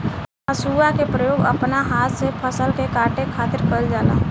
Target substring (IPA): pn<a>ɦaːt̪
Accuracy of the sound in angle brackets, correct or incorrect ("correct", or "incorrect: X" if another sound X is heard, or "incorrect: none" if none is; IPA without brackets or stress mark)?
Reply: correct